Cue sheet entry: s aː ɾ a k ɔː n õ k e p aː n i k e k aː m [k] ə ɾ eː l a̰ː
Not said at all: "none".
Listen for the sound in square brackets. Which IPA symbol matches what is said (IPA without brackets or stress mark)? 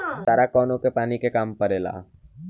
p